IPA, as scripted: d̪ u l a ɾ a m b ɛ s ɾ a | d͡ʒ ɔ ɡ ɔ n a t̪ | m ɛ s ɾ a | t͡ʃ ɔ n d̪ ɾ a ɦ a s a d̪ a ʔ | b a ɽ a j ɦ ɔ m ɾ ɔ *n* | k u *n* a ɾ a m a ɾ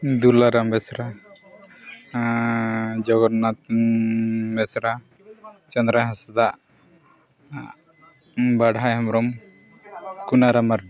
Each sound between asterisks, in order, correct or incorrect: incorrect: m, correct

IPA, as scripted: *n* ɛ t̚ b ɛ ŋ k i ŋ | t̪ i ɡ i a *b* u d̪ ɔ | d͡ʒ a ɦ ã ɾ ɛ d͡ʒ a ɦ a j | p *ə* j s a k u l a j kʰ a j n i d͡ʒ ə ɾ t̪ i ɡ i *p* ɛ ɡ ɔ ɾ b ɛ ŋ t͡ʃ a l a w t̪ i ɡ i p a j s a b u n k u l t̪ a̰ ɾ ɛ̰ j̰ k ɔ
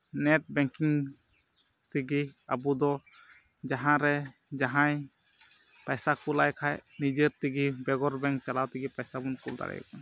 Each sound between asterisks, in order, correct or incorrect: correct, correct, incorrect: a, incorrect: b

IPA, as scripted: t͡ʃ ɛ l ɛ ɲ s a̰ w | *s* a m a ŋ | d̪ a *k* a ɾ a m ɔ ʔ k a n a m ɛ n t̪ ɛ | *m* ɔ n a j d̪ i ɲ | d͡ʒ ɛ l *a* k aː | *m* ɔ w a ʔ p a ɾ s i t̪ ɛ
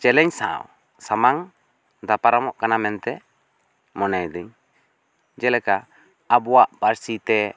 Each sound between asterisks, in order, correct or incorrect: correct, incorrect: p, correct, incorrect: ɛ, incorrect: b

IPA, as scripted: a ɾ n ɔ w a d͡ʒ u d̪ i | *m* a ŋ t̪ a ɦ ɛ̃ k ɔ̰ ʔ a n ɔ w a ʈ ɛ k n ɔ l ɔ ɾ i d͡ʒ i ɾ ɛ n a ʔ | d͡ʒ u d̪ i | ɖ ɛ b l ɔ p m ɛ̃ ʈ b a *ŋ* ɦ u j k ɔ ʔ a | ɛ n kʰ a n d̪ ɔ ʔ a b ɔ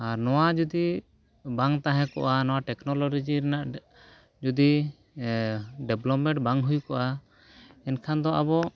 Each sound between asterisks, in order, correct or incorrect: incorrect: b, correct

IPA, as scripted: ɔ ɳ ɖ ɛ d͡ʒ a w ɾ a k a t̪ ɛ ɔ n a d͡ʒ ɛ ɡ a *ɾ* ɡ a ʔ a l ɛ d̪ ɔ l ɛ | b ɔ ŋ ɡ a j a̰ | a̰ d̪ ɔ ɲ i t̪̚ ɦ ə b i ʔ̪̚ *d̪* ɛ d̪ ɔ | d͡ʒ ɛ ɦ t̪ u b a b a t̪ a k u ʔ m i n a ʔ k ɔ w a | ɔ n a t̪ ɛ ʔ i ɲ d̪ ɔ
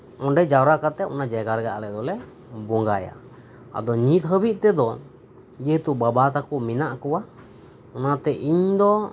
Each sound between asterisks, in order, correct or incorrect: correct, incorrect: t̪

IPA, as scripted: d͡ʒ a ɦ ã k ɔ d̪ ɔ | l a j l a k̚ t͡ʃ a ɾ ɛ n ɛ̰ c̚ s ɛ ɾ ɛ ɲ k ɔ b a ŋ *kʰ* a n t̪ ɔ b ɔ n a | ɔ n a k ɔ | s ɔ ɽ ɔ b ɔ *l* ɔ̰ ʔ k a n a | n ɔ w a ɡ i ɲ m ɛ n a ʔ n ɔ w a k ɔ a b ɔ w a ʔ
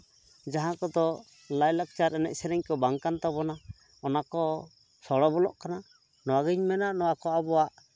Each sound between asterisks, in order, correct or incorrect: incorrect: k, correct

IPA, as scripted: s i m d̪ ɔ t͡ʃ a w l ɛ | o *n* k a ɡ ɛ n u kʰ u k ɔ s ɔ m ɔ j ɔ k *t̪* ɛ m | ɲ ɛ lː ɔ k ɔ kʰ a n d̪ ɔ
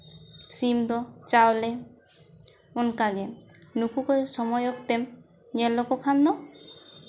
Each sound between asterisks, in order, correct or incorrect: correct, correct

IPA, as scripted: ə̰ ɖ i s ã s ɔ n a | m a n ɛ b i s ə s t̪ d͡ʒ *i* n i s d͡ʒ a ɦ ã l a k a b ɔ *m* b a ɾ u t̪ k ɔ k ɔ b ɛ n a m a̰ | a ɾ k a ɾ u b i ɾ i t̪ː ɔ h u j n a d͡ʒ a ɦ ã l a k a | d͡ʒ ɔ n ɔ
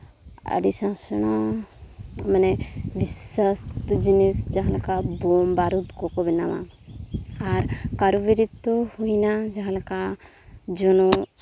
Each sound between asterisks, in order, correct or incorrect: correct, correct

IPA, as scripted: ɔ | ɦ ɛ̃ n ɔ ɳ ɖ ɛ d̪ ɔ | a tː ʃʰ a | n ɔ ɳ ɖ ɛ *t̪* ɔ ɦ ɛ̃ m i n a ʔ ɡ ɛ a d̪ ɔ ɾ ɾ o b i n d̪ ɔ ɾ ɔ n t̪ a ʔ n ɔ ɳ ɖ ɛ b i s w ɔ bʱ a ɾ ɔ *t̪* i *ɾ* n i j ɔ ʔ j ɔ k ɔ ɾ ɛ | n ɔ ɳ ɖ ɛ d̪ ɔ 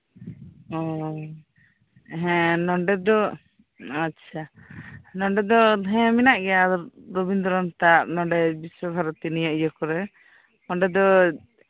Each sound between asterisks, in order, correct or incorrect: incorrect: d̪, correct, incorrect: none

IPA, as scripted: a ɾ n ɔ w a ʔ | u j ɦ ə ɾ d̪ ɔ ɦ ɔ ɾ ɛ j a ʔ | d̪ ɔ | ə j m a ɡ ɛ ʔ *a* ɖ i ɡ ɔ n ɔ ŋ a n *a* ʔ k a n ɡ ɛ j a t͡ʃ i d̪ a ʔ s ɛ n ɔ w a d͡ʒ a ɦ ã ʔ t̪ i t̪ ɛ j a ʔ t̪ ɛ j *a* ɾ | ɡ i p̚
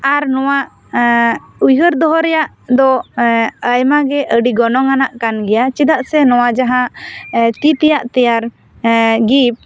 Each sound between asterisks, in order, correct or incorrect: incorrect: ə, correct, correct

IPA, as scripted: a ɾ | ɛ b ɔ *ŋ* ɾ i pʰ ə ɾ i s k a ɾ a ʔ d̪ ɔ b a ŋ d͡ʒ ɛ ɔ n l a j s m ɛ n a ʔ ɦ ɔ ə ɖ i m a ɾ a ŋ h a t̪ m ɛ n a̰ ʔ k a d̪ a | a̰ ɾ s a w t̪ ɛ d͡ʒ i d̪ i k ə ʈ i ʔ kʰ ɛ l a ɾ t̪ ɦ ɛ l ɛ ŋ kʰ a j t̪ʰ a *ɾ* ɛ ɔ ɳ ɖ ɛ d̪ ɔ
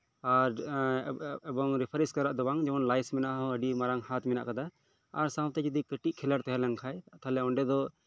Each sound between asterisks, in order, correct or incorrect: correct, incorrect: l

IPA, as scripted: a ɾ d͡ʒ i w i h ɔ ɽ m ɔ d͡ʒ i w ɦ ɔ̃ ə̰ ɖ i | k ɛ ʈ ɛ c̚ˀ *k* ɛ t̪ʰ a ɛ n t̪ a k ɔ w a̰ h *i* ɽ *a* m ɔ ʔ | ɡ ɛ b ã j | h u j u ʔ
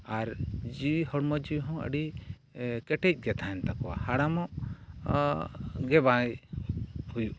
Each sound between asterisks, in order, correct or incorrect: incorrect: ɡ, incorrect: a, correct

